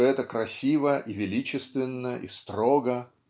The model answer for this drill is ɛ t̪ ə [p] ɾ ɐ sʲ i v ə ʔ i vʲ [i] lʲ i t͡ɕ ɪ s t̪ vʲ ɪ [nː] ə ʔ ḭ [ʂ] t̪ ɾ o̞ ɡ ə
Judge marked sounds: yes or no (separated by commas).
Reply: no, no, yes, no